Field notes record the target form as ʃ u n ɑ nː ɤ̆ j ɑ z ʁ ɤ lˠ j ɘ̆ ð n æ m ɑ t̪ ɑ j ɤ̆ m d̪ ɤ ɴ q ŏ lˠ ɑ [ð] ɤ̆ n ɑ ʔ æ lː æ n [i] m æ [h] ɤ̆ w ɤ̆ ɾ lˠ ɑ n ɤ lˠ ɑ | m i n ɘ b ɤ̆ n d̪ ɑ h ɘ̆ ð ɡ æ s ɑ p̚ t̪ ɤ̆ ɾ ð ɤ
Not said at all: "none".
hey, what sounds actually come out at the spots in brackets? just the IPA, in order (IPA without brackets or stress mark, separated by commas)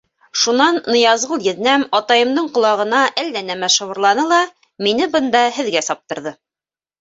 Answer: ʁ, æ, ʃ